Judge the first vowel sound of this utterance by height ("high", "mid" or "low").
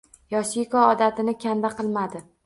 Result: low